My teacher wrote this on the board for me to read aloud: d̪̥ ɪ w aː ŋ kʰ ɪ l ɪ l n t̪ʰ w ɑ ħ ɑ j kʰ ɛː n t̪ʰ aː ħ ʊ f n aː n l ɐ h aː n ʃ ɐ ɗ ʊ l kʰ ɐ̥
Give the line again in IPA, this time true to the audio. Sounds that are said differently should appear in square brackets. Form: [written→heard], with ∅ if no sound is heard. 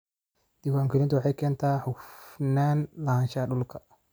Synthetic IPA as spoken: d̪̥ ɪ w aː ŋ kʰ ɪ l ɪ [l→∅] n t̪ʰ w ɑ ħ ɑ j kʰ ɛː n t̪ʰ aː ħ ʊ f n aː n l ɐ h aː n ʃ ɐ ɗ ʊ l kʰ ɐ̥